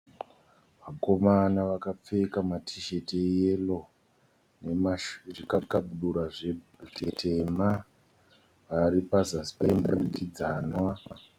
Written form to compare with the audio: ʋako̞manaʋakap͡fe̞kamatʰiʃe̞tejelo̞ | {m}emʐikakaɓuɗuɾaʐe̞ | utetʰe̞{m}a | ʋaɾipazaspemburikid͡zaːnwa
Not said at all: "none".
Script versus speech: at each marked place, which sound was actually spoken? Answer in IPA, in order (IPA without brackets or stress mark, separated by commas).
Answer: n, m